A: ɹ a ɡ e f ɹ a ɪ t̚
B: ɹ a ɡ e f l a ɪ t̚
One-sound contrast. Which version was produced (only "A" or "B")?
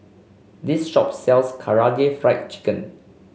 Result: A